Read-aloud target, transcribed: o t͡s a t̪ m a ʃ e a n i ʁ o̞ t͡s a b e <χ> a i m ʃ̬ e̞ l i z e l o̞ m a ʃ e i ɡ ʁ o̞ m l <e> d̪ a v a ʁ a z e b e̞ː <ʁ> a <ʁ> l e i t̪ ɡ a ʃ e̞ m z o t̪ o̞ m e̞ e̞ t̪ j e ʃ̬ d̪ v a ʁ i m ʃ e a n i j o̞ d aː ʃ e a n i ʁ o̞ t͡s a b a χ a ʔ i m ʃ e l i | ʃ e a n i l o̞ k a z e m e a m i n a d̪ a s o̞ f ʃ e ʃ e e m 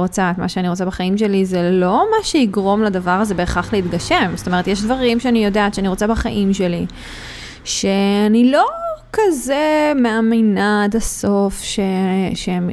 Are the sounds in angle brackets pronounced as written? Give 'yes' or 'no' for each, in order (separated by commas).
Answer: yes, no, no, no